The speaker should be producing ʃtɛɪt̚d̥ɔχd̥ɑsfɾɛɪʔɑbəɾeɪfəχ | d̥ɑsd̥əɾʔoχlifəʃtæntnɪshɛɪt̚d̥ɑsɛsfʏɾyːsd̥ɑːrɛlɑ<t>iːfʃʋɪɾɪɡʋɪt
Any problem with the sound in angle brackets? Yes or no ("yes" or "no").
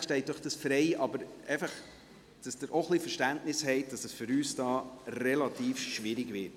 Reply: no